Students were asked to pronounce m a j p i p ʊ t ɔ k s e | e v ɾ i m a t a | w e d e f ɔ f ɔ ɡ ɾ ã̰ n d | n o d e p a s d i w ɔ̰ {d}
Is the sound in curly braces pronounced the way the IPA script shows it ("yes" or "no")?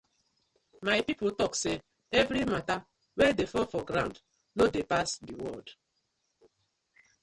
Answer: yes